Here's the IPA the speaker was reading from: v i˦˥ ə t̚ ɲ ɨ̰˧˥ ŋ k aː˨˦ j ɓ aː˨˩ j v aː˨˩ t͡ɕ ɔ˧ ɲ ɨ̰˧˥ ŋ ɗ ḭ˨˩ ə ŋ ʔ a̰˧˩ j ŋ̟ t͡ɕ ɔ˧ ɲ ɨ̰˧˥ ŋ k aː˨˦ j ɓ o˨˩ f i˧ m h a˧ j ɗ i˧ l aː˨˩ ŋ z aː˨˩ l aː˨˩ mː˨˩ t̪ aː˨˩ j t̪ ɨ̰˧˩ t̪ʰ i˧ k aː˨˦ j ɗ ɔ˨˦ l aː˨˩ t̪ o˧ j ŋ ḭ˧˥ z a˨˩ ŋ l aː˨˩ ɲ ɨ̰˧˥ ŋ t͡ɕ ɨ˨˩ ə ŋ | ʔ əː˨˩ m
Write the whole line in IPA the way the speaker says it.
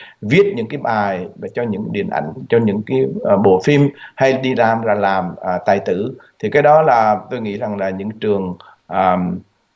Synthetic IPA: v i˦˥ ə t̚ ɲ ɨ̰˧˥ ŋ k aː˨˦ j ɓ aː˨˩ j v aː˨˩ t͡ɕ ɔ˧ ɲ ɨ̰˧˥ ŋ ɗ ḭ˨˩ ə n ʔ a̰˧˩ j ŋ̟ t͡ɕ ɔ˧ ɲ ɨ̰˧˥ ŋ k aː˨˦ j ɓ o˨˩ f i˧ m h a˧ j ɗ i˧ l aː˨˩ m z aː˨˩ l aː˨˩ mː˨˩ t̪ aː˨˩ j t̪ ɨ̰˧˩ t̪ʰ i˨˩ k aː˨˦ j ɗ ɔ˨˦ l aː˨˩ t̪ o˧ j ŋ ḭ˧˥ z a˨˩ ŋ l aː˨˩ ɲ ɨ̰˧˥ ŋ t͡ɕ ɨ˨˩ ə ŋ | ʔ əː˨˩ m